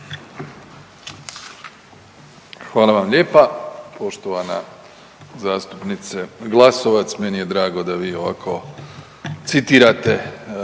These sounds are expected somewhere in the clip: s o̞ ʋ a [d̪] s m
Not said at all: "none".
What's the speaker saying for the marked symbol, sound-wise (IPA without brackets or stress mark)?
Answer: t̪